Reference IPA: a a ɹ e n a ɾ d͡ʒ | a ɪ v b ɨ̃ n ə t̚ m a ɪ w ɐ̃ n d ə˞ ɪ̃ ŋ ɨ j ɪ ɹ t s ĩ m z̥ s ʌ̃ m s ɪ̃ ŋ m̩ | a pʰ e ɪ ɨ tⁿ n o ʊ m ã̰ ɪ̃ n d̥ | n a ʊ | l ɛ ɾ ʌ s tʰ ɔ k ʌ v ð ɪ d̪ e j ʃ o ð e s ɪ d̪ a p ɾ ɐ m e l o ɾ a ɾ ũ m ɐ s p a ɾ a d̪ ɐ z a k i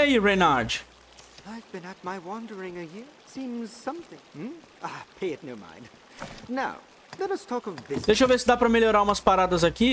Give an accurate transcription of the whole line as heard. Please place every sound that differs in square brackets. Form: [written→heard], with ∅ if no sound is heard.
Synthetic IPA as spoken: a [a→i] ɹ e n a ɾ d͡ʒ | a ɪ v b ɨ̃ n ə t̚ m a ɪ w [ɐ̃→ɑ̃] n d ə˞ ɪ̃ ŋ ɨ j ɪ ɹ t s ĩ m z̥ s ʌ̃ m [s→θ] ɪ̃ ŋ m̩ | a pʰ e ɪ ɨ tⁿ n o ʊ m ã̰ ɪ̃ n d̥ | n a ʊ | l ɛ ɾ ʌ s tʰ ɔ k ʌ v ð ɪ d̪ e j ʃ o [ð→v] e s ɪ d̪ a p ɾ ɐ m e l o ɾ a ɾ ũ m ɐ s p a ɾ a d̪ ɐ z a k i